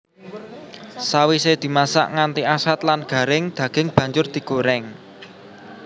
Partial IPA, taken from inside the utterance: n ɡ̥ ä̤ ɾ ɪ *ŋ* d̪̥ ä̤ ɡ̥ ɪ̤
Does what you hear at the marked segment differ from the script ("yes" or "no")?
no